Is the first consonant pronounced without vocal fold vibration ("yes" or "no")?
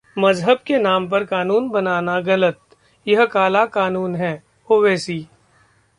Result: no